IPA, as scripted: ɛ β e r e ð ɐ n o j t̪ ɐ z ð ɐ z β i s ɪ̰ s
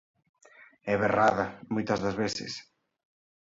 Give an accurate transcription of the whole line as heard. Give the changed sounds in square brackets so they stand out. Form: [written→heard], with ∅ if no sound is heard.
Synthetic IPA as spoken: ɛ β e r [e→a] ð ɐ [n→m] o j t̪ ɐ z ð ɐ z β [i→e] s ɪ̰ s